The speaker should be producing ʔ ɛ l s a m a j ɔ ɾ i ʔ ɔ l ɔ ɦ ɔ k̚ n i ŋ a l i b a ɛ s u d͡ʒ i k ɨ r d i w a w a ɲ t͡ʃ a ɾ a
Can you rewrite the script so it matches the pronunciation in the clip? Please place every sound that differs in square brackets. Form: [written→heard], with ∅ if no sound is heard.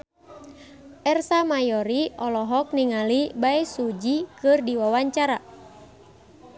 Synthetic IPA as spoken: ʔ ɛ [l→r] s a m a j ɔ ɾ i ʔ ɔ l ɔ ɦ ɔ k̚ n i ŋ a l i b a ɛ s u d͡ʒ i k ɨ r d i w a w a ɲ t͡ʃ a ɾ a